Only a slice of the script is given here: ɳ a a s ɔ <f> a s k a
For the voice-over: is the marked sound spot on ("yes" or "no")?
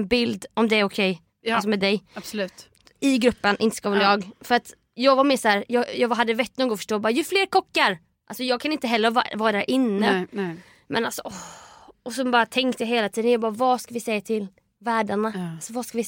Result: no